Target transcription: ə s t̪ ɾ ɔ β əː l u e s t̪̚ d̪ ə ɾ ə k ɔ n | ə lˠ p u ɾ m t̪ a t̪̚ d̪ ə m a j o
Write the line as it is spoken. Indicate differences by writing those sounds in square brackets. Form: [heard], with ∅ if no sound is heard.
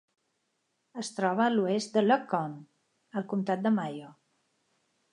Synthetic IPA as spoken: ə s t̪ ɾ ɔ β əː l u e s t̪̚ d̪ ə [l] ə k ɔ n | ə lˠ [k] u [∅] m t̪ a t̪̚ d̪ ə m a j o